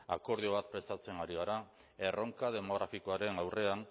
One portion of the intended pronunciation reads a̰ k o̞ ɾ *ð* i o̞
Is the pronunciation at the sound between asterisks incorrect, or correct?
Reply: correct